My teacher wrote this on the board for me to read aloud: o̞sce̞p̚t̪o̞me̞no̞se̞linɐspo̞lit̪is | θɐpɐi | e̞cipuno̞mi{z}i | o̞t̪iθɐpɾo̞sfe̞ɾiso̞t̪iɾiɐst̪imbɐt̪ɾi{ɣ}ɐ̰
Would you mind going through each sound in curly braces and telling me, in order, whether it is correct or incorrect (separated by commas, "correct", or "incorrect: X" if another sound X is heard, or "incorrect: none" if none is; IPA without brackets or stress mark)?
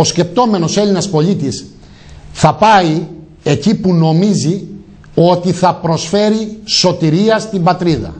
correct, incorrect: ð